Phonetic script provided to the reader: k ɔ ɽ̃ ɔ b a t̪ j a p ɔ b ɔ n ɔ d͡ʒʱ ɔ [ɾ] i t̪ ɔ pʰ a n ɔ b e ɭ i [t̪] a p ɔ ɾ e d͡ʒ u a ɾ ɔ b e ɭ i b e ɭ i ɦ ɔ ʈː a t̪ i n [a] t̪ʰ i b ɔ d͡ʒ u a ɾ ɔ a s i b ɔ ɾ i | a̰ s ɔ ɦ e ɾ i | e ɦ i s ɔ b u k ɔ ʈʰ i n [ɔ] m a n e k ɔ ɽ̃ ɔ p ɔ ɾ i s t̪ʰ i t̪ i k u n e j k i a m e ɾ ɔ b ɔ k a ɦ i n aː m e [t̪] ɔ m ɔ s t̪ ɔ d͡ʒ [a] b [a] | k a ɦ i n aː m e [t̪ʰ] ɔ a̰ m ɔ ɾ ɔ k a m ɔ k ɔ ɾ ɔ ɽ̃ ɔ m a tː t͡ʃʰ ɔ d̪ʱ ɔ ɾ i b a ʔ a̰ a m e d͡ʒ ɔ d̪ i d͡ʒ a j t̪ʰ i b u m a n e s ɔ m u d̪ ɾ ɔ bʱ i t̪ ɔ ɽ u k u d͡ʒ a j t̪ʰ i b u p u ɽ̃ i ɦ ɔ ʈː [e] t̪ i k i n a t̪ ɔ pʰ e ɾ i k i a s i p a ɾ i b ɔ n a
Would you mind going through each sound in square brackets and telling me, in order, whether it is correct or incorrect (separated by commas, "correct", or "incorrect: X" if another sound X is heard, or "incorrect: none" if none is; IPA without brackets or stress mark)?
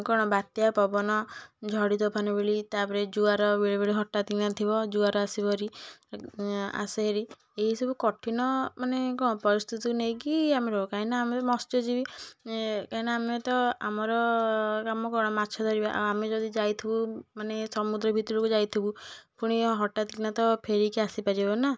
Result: incorrect: ɽ, correct, correct, correct, correct, incorrect: i, incorrect: i, incorrect: t̪, incorrect: a